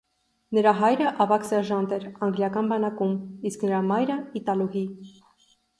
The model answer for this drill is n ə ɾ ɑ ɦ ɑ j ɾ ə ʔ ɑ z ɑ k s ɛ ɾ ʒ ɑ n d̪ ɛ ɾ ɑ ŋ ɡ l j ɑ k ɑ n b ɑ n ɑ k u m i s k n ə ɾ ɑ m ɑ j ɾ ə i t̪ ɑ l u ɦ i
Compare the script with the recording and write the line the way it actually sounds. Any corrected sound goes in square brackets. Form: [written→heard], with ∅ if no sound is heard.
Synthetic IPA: n ə ɾ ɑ ɦ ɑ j ɾ ə ʔ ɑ [z→v] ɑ k s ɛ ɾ ʒ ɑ n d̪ ɛ ɾ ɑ ŋ ɡ l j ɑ k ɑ n b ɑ n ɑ k u m i s k n ə ɾ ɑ m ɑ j ɾ ə i t̪ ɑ l u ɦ i